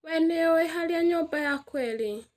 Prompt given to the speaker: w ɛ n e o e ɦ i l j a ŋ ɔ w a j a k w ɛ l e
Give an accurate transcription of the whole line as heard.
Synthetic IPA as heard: w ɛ n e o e ɦ a l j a ɲ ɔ b a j a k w ɛ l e